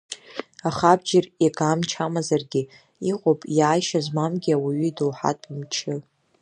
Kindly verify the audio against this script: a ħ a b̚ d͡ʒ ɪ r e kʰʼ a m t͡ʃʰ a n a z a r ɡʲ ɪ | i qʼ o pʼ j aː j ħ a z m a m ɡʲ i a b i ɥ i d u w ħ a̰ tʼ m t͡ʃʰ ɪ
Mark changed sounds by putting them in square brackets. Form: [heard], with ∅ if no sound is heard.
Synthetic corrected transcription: a [χ] a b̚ d͡ʒ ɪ r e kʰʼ a m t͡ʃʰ a [m] a z a r ɡʲ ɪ | i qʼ o pʼ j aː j [ʃ] a z m a m ɡʲ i a [w] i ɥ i d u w ħ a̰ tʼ m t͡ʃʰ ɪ